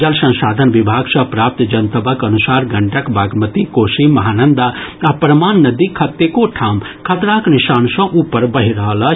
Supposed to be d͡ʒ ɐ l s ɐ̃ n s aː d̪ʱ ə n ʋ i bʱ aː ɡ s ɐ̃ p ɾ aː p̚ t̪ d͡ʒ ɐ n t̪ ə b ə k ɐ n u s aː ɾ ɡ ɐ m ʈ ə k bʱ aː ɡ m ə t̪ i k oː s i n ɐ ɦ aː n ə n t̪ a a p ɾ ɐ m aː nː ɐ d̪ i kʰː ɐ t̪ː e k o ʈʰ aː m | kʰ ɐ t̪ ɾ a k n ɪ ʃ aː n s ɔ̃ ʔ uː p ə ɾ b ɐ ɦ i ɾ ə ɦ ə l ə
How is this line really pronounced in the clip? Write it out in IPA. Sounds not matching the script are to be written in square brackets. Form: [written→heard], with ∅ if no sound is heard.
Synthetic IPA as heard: d͡ʒ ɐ l s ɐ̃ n s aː d̪ʱ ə n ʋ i bʱ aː ɡ s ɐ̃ p ɾ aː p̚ t̪ d͡ʒ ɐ n t̪ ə b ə k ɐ n u s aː ɾ ɡ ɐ [m→ɳ] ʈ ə k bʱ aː ɡ m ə t̪ i k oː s i [n→m] ɐ ɦ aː n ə n [t̪→d̪] a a p ɾ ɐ m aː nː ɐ d̪ i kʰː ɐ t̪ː e k o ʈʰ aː m | kʰ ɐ t̪ ɾ a k n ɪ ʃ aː n s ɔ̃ ʔ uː p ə ɾ b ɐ ɦ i ɾ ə ɦ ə l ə

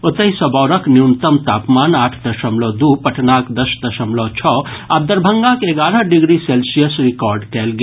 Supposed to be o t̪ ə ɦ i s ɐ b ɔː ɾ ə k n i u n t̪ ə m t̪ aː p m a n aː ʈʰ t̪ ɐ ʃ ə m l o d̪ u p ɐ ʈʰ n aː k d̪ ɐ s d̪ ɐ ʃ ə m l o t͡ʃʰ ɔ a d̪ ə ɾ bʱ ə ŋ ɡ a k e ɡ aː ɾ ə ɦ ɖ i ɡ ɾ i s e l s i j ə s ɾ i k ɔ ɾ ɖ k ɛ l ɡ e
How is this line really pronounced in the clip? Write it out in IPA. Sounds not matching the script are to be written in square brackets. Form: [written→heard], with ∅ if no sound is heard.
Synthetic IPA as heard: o t̪ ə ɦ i s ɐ b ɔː ɾ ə k n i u n t̪ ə m t̪ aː p m a n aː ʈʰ [t̪→d̪] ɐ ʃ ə m l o d̪ u p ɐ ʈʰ n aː k d̪ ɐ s d̪ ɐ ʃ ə m l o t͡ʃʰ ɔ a d̪ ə ɾ bʱ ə ŋ ɡ a k e ɡ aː ɾ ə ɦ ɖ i ɡ ɾ i s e l s i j ə s ɾ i k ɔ ɾ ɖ k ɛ l ɡ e

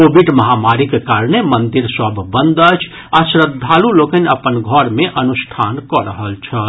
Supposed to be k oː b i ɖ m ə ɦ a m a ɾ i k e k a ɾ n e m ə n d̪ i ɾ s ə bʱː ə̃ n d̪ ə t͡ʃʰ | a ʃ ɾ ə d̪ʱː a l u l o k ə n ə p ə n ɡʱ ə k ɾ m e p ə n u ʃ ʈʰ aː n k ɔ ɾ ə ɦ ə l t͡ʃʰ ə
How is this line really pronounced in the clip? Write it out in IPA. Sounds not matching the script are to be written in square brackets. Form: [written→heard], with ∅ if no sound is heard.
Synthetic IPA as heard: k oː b i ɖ m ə ɦ a m a ɾ i k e k a ɾ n e m ə n d̪ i ɾ s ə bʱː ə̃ n d̪ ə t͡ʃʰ | a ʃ ɾ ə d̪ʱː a l u l o k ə n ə p ə n ɡʱ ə [k→∅] ɾ m e [p→ʔ] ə n u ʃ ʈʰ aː n k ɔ ɾ ə ɦ ə l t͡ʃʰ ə

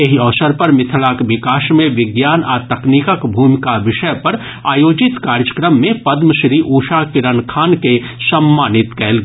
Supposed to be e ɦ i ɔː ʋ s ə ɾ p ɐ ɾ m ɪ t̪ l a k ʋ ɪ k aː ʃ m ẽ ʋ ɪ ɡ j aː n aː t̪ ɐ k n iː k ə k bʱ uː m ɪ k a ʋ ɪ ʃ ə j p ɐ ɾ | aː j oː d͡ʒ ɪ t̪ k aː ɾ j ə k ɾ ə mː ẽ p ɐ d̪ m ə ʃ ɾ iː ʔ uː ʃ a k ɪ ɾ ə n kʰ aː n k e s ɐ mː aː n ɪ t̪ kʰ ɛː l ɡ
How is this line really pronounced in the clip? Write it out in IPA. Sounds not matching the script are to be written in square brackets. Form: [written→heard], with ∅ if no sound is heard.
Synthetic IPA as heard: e ɦ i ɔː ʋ s ə ɾ p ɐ ɾ m ɪ [t̪→t̪ʰ] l a k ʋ ɪ k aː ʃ m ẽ ʋ ɪ ɡ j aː n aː t̪ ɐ k n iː k ə k bʱ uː m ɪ k a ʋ ɪ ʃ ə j p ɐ ɾ | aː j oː d͡ʒ ɪ t̪ k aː ɾ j ə k ɾ ə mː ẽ p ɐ d̪ m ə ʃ ɾ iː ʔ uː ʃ a k ɪ ɾ ə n kʰ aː n k e s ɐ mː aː n ɪ t̪ [kʰ→k] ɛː l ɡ

